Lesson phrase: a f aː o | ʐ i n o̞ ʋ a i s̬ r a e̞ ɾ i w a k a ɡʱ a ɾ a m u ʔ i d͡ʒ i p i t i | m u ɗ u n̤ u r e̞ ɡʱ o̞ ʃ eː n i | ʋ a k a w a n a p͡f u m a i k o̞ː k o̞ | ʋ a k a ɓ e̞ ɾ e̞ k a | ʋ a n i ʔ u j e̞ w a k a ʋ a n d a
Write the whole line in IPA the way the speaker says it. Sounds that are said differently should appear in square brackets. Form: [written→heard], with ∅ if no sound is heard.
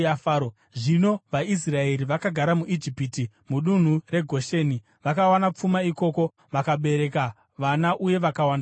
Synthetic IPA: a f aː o | ʐ i n o̞ ʋ a i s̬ r a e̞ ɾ i [w→ʋ] a k a ɡʱ a ɾ a m u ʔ i d͡ʒ i p i t i | m u ɗ u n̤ u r e̞ ɡʱ o̞ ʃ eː n i | ʋ a k a w a n a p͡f u m a i k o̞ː k o̞ | ʋ a k a ɓ e̞ ɾ e̞ k a | ʋ a n [i→a] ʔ u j e̞ [w→ʋ] a k a [ʋ→w] a n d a